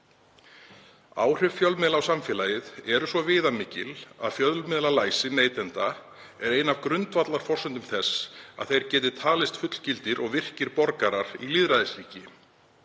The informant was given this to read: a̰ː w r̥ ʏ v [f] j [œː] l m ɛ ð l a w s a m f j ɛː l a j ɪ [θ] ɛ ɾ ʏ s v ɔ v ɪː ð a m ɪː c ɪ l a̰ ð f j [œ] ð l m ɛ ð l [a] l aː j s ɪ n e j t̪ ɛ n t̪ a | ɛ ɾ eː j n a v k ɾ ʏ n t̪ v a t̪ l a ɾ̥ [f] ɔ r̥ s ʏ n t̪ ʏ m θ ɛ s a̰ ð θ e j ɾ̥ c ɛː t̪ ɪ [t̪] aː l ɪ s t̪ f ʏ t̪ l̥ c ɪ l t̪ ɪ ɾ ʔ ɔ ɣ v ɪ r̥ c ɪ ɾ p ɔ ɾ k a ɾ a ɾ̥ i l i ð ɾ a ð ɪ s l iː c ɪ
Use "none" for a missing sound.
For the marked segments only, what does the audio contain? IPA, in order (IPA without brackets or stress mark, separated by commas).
f, œ, ð, œ, a, f, t̪ʰ